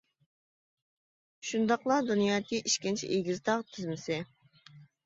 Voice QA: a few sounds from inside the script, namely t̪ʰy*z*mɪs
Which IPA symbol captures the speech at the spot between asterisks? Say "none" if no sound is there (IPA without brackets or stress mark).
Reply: z